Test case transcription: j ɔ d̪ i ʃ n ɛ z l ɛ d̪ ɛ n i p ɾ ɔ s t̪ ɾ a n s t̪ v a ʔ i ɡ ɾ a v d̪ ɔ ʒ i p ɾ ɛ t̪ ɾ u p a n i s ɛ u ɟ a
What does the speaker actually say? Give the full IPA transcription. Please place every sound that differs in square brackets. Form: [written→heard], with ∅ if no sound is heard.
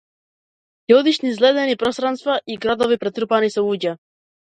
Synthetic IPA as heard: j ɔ d̪ i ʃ n [ɛ→i] z l ɛ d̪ ɛ n i p ɾ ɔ s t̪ ɾ a n s t̪ v a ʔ i ɡ ɾ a [v→∅] d̪ ɔ [ʒ→v] i p ɾ ɛ t̪ ɾ u p a n i s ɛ u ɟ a